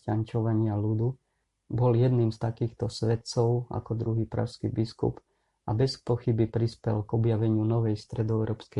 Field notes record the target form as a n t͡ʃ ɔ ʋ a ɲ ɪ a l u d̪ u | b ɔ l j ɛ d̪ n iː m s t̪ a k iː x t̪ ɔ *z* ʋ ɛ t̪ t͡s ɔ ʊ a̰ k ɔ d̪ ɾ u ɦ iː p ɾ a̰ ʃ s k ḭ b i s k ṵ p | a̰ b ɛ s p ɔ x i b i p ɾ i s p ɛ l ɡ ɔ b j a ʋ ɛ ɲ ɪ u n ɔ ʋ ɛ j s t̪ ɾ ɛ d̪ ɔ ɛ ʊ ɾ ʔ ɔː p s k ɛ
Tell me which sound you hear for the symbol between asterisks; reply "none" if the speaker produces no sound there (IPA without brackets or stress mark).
s